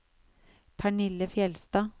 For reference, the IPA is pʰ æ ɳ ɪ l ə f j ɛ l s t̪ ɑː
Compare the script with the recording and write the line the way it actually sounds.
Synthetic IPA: pʰ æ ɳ ɪ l ə f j ɛ l s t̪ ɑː